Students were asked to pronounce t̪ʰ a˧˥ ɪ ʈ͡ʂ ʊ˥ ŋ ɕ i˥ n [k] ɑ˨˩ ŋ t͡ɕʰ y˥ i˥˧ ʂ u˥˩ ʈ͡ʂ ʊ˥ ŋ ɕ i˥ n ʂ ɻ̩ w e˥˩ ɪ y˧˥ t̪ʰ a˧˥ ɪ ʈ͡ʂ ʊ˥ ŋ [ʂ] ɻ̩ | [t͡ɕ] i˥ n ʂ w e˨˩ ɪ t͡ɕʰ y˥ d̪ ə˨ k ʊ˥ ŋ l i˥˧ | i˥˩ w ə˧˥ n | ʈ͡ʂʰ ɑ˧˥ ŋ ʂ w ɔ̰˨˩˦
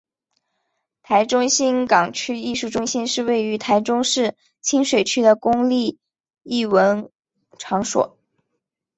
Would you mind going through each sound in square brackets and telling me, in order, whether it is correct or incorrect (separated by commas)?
correct, correct, incorrect